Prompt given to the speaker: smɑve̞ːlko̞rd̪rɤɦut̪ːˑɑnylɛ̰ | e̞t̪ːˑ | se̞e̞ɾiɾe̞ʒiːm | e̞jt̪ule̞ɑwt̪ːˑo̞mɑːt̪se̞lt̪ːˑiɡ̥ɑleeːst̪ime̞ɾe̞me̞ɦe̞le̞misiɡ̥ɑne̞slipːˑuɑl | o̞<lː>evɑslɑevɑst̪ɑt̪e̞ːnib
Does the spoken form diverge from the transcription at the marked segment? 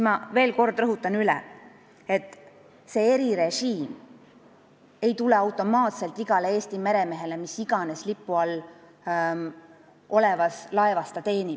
yes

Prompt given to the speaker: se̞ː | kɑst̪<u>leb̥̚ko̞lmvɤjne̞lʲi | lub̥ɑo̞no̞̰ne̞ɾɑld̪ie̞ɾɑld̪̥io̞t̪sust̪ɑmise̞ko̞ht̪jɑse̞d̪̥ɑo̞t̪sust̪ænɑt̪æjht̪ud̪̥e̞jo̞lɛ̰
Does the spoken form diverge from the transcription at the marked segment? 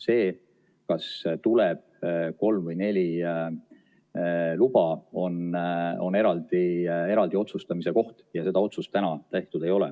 no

